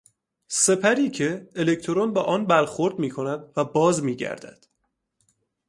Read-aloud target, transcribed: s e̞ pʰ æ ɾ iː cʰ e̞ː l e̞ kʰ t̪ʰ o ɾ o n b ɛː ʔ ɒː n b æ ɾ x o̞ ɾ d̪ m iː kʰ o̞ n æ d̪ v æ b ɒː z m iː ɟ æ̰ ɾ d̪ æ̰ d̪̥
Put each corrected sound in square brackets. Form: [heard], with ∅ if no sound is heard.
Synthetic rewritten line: s e̞ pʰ æ ɾ iː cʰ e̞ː l e̞ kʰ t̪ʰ o ɾ o n b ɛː ʔ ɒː n b æ ɾ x o̞ ɾ d̪ m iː kʰ o̞ n æ d̪ v æ b ɒː z m iː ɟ æ̰ ɾ d̪ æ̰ d̪̥